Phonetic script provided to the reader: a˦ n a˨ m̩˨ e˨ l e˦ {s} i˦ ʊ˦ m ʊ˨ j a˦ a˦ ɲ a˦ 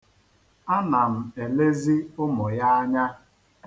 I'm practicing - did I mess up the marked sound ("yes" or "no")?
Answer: yes